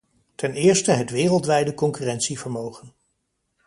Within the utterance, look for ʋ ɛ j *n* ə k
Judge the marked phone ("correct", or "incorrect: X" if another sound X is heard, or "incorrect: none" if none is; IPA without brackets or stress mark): incorrect: d